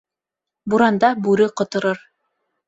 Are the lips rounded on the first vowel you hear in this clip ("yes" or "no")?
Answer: yes